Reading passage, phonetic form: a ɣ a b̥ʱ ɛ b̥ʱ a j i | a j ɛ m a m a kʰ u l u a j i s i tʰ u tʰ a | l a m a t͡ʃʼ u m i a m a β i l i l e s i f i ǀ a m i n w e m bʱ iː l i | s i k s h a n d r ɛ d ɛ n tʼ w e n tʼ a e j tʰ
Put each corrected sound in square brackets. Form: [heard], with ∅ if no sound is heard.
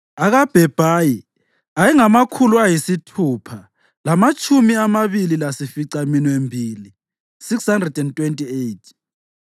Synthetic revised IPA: a ɣ a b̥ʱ ɛ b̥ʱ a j i | a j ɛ [ŋ] a m a kʰ u l u a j i s i tʰ u [pʰ] a | l a m a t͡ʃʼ u m i a m a β i l i l [a] s i f i ǀ a m i n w e m bʱ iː l i | s i k s h a n d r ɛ d ɛ n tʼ w e n tʼ [i] e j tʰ